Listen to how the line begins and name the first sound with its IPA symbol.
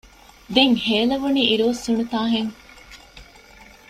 d̪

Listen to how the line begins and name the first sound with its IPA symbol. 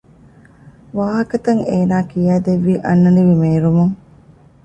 ʋ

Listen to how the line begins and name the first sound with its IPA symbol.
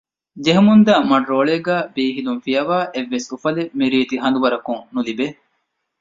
d͡ʒ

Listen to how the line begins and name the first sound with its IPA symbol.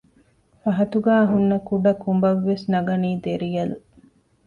f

